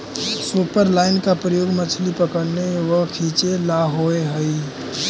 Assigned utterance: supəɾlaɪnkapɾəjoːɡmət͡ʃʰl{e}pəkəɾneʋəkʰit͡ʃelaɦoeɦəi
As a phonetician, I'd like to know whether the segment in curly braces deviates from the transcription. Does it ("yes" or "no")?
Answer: yes